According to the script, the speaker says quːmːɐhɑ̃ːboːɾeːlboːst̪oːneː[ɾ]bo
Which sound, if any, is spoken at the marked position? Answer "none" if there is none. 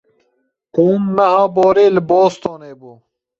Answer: none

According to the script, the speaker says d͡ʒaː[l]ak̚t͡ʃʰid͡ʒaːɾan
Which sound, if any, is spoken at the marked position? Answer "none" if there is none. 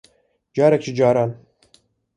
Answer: ɾ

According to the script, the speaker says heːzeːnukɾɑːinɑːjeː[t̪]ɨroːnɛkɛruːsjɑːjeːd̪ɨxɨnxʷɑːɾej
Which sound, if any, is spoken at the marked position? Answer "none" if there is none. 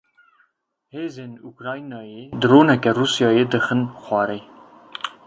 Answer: d̪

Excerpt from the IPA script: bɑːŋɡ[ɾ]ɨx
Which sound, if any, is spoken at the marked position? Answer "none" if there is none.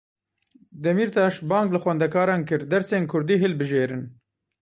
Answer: l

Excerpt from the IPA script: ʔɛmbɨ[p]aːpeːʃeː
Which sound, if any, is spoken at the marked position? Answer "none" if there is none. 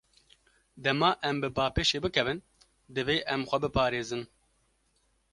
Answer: b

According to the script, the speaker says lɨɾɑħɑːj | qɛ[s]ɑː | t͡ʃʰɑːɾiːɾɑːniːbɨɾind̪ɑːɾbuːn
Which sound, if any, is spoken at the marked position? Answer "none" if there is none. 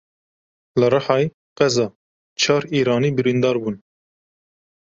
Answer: z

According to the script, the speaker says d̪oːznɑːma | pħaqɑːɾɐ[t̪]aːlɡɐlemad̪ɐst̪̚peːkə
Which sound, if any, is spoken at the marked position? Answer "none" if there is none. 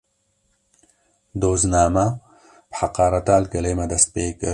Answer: t̪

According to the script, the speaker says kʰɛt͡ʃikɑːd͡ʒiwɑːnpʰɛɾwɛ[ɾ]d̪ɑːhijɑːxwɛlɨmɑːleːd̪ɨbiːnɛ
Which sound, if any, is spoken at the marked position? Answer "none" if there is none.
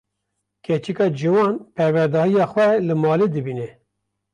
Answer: ɾ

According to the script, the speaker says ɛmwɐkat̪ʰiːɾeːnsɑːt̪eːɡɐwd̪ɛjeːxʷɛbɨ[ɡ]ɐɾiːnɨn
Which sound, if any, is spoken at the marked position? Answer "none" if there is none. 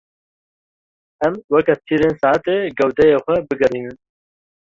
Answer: ɡ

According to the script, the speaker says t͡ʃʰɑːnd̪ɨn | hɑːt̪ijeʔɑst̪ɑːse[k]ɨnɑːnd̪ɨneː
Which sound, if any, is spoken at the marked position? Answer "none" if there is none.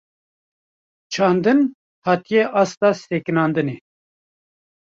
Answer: k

